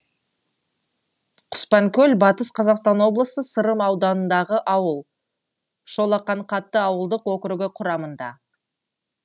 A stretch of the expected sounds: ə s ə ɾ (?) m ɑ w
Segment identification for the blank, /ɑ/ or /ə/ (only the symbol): ə